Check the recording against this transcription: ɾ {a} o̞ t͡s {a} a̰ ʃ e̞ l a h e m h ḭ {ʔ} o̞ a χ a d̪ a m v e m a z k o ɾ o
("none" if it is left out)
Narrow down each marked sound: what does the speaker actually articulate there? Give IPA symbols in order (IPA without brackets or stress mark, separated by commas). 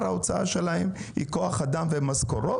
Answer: a, a, k